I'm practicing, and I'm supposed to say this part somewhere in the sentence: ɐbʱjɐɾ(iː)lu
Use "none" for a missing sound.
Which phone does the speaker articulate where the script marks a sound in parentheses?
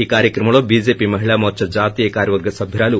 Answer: aː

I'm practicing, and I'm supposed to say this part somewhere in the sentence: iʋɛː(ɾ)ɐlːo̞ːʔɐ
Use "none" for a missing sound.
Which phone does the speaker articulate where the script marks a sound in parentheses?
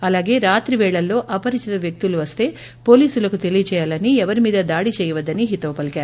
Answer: ɭ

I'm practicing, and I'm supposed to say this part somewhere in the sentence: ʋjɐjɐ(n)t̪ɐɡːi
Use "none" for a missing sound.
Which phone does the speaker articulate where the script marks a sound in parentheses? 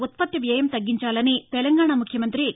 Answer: m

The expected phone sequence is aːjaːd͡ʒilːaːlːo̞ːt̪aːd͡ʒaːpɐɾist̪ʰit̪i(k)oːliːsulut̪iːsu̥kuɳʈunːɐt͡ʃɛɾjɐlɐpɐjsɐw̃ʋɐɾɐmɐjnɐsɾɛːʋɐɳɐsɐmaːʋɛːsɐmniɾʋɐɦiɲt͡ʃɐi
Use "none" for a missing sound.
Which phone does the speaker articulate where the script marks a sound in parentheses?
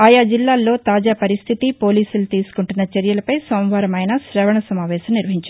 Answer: p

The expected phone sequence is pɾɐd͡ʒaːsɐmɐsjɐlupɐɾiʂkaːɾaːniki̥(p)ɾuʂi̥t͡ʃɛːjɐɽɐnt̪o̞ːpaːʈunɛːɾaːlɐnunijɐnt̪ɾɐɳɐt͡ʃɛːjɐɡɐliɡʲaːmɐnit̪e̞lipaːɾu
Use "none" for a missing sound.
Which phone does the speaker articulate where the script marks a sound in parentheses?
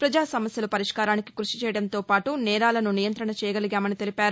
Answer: k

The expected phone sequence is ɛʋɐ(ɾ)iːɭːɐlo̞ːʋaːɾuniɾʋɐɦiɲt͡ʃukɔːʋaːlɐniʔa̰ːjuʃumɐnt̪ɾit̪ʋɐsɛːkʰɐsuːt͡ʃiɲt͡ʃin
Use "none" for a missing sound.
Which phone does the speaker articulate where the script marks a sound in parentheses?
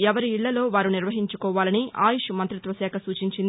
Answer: ɾ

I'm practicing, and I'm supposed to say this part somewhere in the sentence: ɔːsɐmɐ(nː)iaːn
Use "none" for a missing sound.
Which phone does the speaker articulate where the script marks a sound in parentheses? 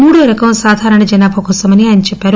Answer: n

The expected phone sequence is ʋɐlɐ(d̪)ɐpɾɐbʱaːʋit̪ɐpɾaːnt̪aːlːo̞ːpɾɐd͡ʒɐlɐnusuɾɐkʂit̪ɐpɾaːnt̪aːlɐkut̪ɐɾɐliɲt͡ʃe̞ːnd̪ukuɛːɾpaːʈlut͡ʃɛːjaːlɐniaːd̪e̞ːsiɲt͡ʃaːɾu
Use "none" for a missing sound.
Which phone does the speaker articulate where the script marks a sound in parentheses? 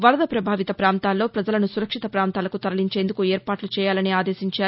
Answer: d̪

